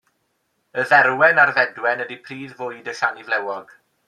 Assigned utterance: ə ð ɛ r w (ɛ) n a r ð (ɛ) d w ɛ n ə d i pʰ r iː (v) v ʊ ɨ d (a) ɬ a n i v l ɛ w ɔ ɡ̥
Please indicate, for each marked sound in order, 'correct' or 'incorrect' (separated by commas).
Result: correct, correct, incorrect, incorrect